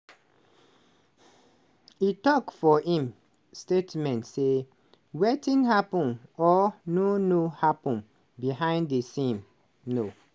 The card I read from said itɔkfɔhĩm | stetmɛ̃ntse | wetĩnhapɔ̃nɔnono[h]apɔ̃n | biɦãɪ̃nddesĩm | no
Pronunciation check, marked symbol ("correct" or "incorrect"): correct